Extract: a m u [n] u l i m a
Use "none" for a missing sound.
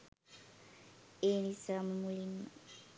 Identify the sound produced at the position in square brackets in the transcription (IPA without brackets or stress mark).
m